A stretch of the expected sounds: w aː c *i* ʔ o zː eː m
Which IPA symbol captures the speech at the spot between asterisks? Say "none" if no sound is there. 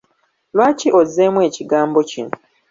i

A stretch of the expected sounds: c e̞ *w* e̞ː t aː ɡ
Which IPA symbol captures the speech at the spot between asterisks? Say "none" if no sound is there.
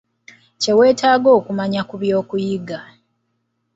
w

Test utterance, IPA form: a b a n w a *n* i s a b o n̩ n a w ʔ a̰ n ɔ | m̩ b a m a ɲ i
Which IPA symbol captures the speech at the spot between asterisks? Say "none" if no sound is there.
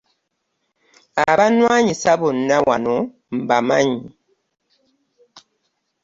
ɲ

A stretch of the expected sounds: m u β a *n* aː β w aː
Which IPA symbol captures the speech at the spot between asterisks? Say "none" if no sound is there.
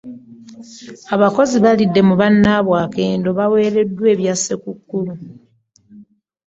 nː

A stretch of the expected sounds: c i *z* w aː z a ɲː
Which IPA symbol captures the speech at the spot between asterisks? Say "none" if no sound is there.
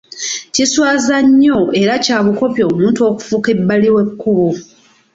s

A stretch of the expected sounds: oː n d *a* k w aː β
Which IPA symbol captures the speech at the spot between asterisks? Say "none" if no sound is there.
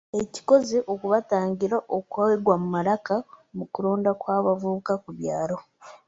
a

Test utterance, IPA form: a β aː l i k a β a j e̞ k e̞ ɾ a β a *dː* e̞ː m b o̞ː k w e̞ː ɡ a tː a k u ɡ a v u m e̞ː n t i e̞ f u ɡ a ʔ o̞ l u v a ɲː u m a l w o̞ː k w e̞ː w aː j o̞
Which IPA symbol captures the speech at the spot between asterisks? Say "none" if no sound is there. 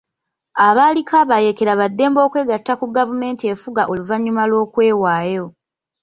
dː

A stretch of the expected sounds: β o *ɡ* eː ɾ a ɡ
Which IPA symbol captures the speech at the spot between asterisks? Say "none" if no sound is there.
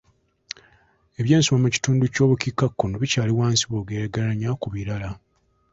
ɡ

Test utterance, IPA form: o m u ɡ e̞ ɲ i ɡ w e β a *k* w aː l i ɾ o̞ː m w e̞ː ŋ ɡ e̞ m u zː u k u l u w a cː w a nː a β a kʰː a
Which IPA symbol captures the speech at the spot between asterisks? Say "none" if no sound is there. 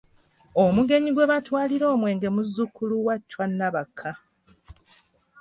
t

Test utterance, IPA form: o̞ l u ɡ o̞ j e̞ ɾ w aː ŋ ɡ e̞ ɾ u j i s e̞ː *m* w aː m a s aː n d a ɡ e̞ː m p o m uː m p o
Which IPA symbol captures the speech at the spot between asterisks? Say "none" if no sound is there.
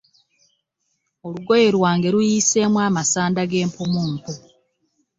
m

